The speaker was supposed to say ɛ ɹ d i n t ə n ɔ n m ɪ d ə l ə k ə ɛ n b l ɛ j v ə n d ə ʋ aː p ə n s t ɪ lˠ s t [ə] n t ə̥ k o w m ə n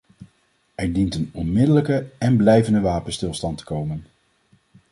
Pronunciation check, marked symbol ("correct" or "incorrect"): incorrect